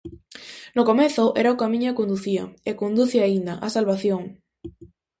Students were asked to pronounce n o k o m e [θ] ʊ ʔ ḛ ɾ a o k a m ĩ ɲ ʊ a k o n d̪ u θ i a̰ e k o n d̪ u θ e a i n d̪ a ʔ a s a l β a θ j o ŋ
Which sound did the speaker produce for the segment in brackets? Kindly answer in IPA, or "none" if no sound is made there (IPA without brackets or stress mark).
θ